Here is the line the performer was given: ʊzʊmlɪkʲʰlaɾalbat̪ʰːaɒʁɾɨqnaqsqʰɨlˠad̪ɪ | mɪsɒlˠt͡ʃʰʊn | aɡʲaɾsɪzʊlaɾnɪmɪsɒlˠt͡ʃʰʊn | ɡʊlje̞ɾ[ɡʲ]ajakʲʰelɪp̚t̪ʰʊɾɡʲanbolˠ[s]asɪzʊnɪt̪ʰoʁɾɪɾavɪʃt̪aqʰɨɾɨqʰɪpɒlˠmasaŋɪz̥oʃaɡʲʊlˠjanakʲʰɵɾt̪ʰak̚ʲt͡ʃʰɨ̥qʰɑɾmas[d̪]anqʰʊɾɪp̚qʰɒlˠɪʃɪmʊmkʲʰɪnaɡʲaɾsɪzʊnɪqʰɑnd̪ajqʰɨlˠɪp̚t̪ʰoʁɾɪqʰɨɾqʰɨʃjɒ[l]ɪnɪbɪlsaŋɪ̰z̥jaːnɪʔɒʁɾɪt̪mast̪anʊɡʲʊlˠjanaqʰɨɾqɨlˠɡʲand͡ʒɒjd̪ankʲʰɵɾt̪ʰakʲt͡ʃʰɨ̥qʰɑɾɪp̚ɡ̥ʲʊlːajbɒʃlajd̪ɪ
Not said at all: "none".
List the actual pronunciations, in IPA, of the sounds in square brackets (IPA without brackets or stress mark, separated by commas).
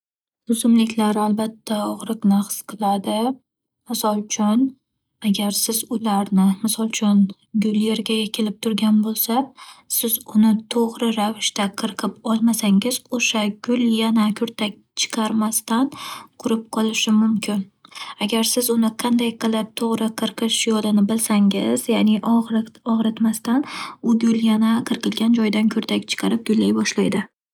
ɡʲ, s, t̪, l